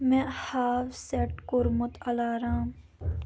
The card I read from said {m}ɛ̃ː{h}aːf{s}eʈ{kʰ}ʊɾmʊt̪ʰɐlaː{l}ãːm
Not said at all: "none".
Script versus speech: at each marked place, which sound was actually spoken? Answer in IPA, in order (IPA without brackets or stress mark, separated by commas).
m, h, s, k, ɾ